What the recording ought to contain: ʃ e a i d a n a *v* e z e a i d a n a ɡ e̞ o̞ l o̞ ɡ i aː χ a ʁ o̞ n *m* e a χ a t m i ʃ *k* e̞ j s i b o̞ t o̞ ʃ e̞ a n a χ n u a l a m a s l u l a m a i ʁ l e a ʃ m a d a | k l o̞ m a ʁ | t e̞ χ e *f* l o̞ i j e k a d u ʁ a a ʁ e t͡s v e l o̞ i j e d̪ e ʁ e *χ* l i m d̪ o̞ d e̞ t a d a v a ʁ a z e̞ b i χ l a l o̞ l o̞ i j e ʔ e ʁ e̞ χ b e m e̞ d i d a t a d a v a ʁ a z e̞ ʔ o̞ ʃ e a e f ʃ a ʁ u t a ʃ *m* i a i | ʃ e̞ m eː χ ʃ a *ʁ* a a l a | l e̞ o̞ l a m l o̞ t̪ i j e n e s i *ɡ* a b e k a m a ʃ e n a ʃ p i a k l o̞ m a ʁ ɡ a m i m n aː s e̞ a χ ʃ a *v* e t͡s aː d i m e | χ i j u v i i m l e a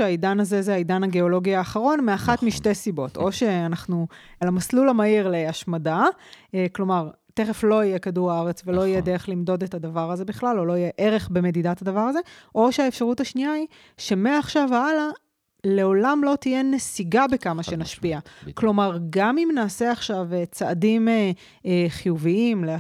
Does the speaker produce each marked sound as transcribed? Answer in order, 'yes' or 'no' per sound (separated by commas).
no, yes, no, yes, yes, no, no, yes, yes